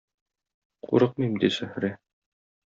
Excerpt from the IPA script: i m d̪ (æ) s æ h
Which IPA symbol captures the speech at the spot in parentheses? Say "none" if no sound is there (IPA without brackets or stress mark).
i